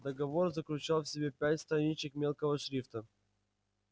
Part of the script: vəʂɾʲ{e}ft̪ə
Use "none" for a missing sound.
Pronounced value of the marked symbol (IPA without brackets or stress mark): i